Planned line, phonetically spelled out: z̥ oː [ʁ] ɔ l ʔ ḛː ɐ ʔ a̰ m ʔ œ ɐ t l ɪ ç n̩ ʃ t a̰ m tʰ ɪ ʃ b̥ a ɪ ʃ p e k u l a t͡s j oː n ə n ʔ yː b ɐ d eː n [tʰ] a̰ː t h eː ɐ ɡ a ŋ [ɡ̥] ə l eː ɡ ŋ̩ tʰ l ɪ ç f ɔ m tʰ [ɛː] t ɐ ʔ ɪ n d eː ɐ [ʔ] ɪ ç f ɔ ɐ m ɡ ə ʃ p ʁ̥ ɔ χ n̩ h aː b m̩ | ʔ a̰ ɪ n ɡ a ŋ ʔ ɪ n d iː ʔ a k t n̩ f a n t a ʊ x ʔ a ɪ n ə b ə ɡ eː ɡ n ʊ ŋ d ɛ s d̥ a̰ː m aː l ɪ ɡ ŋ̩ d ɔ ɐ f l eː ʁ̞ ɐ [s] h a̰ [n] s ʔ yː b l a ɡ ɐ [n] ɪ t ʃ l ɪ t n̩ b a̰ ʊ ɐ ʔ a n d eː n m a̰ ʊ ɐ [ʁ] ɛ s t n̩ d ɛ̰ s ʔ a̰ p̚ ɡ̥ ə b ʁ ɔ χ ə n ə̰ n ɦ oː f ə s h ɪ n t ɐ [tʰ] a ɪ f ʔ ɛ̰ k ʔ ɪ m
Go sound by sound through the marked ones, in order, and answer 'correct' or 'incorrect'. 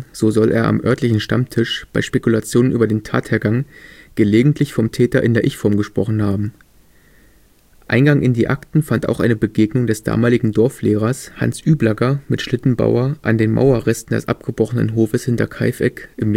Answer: incorrect, correct, correct, correct, correct, correct, correct, incorrect, correct, incorrect

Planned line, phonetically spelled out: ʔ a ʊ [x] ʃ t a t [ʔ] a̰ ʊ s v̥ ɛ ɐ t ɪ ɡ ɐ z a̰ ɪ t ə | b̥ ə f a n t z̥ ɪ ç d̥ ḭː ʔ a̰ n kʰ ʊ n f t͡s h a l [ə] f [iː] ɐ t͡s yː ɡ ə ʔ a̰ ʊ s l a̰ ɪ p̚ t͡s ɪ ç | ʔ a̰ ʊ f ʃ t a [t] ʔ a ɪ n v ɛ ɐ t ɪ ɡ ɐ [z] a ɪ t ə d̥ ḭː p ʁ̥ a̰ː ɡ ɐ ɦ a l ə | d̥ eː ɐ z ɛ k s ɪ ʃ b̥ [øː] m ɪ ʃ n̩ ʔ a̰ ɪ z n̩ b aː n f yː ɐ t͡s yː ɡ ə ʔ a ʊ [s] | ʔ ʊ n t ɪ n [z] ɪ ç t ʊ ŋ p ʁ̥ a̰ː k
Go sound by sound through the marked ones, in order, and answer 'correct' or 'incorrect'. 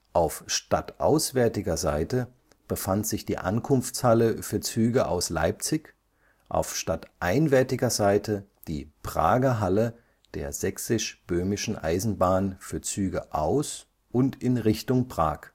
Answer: incorrect, correct, correct, incorrect, correct, correct, correct, correct, incorrect

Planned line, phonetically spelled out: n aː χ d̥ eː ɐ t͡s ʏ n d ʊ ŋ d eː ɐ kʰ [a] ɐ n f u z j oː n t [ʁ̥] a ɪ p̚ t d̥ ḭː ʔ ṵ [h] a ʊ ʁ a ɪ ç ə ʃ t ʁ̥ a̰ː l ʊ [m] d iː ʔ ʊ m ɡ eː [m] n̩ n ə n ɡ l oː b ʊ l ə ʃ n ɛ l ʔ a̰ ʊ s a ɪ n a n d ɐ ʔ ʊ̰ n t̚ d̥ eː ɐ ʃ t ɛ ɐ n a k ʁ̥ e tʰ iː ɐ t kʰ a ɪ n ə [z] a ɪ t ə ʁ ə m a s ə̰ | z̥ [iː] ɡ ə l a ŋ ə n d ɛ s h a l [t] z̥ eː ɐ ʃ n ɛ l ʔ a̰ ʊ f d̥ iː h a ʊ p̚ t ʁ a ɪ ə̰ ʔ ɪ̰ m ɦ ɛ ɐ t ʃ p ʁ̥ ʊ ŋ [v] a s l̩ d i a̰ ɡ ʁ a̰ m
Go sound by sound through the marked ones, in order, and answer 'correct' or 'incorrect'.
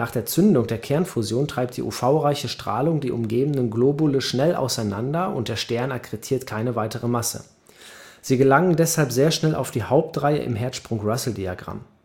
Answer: incorrect, correct, incorrect, incorrect, incorrect, incorrect, correct, incorrect, incorrect

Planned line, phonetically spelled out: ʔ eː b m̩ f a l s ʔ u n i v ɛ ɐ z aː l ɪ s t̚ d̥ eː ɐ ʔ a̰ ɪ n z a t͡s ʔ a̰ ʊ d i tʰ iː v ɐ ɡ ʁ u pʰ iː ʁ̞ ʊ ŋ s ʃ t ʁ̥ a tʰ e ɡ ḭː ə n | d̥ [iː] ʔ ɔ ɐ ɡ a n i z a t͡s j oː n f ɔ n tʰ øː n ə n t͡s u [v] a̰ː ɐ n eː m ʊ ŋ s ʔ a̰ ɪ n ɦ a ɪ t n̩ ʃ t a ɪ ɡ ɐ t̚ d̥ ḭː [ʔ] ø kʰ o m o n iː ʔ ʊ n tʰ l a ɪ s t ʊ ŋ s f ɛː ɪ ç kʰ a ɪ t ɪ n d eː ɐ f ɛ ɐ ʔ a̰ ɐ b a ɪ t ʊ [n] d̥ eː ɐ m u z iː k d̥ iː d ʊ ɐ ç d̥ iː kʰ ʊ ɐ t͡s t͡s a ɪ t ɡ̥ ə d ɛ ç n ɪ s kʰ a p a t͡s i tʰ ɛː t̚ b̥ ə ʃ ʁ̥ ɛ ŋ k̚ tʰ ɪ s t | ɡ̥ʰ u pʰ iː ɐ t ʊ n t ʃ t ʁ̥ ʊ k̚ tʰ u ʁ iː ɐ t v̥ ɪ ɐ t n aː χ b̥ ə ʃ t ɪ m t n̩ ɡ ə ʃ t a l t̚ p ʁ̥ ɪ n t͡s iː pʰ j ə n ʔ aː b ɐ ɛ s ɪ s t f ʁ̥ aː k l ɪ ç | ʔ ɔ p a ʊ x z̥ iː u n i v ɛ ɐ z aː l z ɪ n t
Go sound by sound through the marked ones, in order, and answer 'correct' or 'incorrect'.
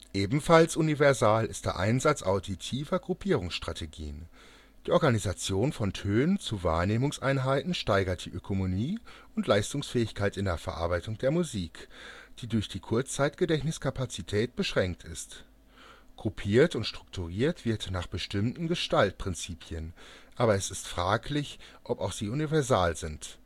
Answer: correct, correct, correct, incorrect

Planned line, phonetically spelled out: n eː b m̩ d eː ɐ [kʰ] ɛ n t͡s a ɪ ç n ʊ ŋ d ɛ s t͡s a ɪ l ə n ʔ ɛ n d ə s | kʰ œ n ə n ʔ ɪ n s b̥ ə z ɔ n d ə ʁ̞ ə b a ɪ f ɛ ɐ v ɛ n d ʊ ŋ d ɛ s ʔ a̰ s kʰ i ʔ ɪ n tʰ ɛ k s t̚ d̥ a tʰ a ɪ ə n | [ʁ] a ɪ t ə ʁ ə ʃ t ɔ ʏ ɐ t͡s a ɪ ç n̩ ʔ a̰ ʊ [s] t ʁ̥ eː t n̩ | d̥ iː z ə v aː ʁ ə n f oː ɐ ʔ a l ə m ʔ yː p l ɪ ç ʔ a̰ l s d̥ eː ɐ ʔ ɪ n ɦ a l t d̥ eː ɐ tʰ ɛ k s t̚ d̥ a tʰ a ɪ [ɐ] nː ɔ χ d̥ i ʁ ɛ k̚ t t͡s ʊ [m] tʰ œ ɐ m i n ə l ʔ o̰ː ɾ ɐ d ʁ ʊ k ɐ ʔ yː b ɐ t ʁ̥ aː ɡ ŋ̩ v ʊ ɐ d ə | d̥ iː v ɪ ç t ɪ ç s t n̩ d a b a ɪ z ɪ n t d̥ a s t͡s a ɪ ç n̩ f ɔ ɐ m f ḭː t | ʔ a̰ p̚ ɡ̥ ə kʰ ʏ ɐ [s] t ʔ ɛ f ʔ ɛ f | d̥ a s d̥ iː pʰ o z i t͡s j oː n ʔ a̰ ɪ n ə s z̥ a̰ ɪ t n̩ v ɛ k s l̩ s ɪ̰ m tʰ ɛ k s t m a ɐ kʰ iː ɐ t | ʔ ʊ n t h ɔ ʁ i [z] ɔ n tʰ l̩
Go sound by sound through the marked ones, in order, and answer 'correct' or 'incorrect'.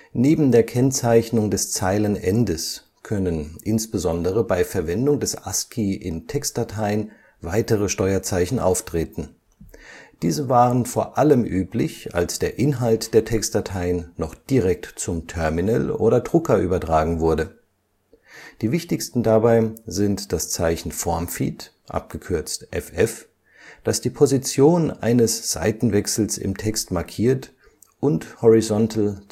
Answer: correct, incorrect, incorrect, incorrect, correct, incorrect, correct

